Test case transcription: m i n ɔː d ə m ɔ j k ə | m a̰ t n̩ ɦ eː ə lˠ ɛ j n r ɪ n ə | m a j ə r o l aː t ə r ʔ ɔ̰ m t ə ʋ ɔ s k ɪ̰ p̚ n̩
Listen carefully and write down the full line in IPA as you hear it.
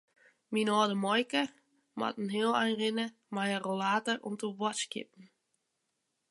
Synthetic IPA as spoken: m i n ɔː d ə m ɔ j k ə | m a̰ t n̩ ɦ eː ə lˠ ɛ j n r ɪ n ə | m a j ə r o l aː t ə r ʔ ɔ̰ m t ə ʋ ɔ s k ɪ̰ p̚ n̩